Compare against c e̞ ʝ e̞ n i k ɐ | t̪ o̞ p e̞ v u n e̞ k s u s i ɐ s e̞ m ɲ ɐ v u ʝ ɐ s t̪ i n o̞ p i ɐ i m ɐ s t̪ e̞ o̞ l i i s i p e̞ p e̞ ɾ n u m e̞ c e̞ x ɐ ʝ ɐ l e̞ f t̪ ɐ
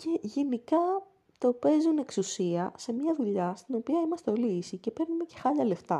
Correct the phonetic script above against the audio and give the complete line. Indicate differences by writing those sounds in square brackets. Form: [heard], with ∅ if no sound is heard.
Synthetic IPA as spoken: c e̞ ʝ e̞ n i k ɐ | t̪ o̞ p e̞ [z] u n e̞ k s u s i ɐ s e̞ m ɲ ɐ [ð] u [ʎ] ɐ s t̪ i n o̞ p i ɐ i m ɐ s t̪ e̞ o̞ l i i s i [c] e̞ p e̞ ɾ n u m e̞ c e̞ x ɐ [ʎ] ɐ l e̞ f t̪ ɐ